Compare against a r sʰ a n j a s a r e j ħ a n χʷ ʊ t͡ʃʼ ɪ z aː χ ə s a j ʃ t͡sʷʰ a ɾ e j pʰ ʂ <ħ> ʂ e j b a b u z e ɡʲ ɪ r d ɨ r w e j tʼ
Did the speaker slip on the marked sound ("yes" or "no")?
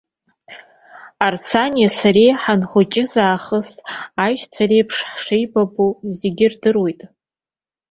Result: no